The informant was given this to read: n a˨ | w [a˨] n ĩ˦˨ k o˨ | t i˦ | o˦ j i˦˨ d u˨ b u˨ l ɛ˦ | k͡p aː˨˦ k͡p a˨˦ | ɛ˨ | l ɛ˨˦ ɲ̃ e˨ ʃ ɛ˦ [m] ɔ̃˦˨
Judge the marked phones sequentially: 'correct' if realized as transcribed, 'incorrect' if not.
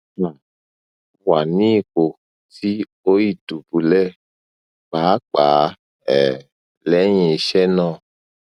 correct, incorrect: n

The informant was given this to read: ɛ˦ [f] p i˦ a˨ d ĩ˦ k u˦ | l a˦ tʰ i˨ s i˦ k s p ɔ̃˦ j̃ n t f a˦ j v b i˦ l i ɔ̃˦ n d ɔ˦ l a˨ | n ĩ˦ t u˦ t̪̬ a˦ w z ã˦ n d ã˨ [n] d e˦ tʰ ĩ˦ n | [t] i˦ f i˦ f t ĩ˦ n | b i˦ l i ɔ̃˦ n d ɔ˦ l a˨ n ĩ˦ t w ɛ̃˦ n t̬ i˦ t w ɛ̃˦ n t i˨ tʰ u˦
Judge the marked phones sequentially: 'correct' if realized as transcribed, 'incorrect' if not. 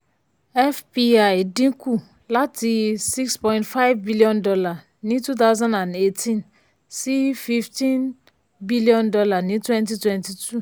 correct, correct, incorrect: s

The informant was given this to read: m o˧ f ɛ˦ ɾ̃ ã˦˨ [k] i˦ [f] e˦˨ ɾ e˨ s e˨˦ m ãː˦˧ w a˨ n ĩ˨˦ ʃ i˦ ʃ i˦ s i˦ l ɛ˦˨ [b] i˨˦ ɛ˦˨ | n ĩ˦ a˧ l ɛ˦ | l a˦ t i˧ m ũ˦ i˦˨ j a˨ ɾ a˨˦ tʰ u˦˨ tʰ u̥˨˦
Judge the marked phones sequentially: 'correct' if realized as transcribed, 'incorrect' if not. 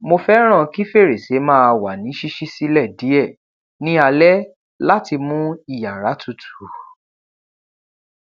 correct, correct, incorrect: d

